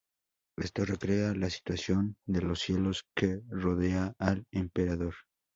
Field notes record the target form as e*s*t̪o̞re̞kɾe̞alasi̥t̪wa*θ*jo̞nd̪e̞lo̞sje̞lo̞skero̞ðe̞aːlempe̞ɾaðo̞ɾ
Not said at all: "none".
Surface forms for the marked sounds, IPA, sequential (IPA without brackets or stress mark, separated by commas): s, s